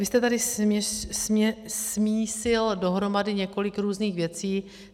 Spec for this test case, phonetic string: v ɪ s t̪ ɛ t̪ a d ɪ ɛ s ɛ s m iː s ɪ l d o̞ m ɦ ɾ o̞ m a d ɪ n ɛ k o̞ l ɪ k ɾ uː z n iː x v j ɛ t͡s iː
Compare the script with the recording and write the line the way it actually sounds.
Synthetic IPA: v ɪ s t̪ ɛ t̪ a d ɪ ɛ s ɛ s m iː s ɪ l d o̞ ɦ ɾ o̞ m a d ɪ ɲ ɛ k o̞ l ɪ k ɾ uː z n iː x v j ɛ t͡s iː